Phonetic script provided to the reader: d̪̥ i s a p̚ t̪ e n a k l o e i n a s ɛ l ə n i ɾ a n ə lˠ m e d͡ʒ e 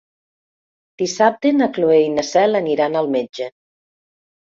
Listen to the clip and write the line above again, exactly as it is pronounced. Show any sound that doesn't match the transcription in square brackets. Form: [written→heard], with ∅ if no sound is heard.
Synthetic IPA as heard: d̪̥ i s a p̚ t̪ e n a k l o e [i→j] n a s ɛ l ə n i ɾ a n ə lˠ m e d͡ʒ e